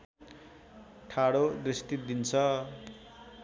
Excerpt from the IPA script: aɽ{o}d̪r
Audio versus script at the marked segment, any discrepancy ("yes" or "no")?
no